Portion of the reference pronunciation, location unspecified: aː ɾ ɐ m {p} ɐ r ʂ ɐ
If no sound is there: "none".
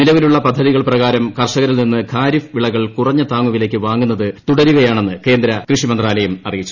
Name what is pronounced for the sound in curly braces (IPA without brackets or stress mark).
k